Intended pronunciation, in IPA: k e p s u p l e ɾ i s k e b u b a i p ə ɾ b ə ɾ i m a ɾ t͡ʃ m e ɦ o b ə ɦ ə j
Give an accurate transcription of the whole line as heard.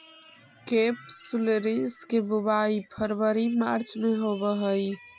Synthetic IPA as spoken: k e p s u l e ɾ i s k e b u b a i pʰ ə ɾ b ə ɾ i m a ɾ t͡ʃ m e ɦ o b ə ɦ ə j